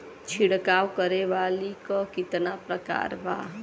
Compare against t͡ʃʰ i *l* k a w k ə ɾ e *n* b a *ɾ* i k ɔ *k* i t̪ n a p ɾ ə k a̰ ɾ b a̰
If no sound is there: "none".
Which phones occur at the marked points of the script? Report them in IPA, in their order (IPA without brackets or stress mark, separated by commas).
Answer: ɽ, none, l, k